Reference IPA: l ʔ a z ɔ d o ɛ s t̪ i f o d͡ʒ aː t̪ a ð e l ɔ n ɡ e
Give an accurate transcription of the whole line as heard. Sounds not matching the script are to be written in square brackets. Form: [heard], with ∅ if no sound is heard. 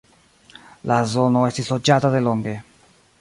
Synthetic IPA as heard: l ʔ a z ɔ [n] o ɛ s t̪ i [s] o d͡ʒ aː t̪ a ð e l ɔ [ŋ] ɡ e